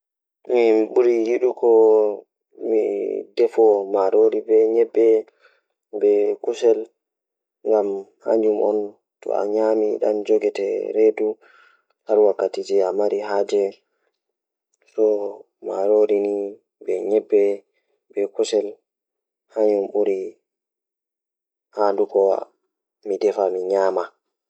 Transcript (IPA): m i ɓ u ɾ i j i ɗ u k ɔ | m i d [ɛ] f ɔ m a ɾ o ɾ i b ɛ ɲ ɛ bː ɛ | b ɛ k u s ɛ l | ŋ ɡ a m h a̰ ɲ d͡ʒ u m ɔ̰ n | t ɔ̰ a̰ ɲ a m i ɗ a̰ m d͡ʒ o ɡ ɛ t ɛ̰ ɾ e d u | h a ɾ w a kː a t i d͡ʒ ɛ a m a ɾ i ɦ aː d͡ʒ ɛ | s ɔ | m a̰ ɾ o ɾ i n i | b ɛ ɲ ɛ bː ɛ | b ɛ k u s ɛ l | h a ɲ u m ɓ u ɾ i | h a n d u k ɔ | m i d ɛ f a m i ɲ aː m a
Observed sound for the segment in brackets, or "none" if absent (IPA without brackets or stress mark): ɛ